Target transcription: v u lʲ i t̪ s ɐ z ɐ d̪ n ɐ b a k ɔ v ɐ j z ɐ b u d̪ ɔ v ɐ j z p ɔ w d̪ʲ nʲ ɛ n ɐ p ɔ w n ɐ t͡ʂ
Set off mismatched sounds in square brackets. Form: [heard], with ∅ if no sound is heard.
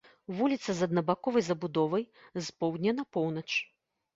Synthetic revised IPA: v u lʲ i t̪ s ɐ z ɐ d̪ n ɐ b a k ɔ v ɐ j z ɐ b u d̪ ɔ v ɐ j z p ɔ w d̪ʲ nʲ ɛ n ɐ p ɔ w n ɐ t͡ʂ